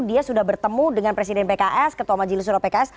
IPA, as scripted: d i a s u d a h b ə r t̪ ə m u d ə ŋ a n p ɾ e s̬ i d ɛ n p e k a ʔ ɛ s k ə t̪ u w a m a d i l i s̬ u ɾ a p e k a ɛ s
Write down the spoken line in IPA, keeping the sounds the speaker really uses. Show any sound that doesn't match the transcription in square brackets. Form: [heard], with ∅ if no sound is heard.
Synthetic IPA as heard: d i a s u d a h b ə r t̪ ə m u d ə ŋ a n p ɾ e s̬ i d ɛ n p e k a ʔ ɛ s k ə t̪ u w a m a [d͡ʒ] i l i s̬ u ɾ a p e k a ɛ s